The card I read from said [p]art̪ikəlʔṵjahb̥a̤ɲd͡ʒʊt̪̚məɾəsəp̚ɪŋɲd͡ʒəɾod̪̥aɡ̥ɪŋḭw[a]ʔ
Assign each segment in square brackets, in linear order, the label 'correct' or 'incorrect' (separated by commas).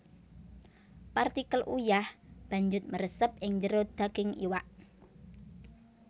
correct, correct